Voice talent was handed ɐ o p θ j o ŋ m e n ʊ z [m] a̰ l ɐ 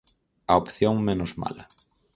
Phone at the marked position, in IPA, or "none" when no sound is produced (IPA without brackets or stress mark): m